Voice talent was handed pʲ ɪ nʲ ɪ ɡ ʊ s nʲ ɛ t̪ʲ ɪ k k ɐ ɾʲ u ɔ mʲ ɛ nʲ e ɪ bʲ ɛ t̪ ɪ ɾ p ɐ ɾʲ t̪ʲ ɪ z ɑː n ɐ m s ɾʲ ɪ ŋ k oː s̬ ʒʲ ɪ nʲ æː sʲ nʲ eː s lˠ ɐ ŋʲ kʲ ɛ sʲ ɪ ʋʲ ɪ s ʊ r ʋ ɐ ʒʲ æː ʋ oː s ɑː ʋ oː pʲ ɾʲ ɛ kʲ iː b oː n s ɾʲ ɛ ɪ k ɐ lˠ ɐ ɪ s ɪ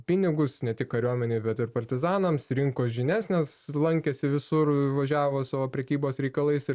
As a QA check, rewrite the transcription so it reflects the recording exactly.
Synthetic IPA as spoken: pʲ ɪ nʲ ɪ ɡ ʊ s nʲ ɛ t̪ʲ ɪ k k ɐ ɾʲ u ɔ mʲ ɛ nʲ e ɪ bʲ ɛ t̪ ɪ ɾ p ɐ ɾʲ t̪ʲ ɪ z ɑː n ɐ m s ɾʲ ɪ ŋ k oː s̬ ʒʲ ɪ nʲ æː sʲ nʲ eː s lˠ ɐ ŋʲ kʲ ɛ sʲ ɪ ʋʲ ɪ s ʊ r ʋ ɐ ʒʲ æː ʋ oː s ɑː ʋ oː pʲ ɾʲ ɛ kʲ iː b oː s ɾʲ ɛ ɪ k ɐ lˠ ɐ ɪ s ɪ